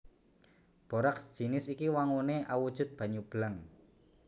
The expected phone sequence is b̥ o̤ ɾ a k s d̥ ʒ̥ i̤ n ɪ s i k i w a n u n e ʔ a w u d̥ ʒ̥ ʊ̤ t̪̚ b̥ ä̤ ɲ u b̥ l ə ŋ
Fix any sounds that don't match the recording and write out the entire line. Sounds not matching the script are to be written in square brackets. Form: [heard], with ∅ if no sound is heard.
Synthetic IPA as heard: b̥ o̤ ɾ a k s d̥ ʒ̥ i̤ n ɪ s i k i w a [ŋ] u n e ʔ a w u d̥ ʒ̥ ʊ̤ t̪̚ b̥ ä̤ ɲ u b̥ l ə ŋ